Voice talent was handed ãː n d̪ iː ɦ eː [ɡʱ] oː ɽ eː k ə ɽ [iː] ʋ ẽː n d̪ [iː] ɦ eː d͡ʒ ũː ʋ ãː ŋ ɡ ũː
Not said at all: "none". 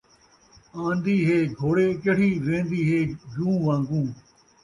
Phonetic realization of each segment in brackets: ɡʱ, iː, iː

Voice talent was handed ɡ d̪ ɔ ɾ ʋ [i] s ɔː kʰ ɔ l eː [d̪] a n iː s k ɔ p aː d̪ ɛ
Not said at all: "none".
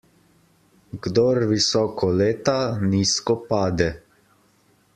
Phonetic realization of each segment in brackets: i, t̪

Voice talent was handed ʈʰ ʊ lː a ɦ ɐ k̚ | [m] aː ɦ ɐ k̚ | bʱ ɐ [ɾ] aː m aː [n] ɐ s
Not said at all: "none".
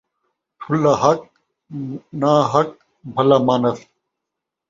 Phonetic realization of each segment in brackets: n, l, n

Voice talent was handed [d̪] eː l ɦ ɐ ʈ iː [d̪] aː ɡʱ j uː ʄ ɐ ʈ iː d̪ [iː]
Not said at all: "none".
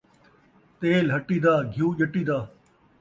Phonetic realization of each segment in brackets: t̪, d̪, aː

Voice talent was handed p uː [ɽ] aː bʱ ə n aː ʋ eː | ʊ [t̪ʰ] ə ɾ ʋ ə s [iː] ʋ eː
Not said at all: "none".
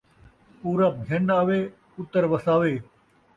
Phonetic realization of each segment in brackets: ɾ, t̪, aː

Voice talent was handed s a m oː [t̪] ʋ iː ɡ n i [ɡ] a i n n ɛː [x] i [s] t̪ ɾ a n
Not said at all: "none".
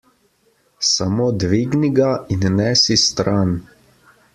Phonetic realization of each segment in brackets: d̪, ɡ, s, s

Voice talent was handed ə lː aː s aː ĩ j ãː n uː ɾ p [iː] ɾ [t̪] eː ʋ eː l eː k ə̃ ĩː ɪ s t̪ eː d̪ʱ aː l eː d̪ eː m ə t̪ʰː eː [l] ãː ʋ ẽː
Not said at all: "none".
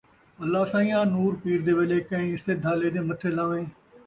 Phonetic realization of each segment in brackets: iː, d̪, l

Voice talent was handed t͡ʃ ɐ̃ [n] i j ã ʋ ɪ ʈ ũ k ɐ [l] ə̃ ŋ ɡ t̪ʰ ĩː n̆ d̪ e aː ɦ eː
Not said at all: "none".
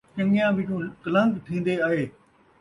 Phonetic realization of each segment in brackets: ŋ, l

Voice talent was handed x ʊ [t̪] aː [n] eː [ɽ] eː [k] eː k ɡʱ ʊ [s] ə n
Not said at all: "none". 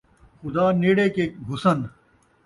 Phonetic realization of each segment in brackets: d̪, n, ɽ, k, s

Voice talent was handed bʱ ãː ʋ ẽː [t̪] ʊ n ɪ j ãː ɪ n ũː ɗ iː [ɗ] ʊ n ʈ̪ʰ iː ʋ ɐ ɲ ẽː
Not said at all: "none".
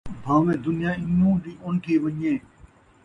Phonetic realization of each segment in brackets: d̪, none

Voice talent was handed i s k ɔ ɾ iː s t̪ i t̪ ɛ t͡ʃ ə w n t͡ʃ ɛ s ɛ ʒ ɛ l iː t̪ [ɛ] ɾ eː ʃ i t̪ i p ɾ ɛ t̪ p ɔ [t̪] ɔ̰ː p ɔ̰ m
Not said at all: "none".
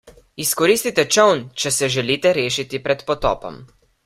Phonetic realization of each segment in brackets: ɛ, t̪

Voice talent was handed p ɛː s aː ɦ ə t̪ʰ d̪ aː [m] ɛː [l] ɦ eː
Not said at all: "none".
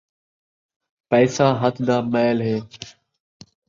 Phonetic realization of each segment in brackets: m, l

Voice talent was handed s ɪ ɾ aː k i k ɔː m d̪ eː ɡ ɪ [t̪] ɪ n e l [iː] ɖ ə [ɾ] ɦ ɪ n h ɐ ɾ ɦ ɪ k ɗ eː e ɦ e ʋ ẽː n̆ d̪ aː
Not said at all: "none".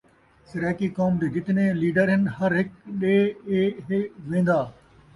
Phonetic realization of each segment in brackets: t̪, iː, ɾ

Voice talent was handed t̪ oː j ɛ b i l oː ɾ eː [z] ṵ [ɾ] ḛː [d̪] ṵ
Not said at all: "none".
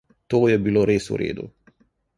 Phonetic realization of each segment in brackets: s, ɾ, d̪

